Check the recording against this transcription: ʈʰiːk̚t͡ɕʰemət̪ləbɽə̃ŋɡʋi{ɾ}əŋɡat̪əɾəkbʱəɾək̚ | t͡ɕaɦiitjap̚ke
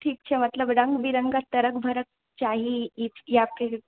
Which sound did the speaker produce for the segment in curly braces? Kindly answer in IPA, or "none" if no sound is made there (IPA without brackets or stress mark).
ɾ